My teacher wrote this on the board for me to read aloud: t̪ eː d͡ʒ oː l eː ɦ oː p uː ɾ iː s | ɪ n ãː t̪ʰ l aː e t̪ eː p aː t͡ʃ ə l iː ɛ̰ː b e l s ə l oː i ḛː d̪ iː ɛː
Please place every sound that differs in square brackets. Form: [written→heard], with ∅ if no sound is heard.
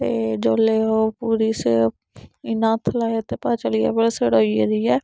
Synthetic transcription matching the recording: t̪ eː d͡ʒ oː l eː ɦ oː p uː ɾ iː s | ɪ n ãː t̪ʰ l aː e t̪ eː p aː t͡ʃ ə l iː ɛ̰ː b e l s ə [l→ɽ] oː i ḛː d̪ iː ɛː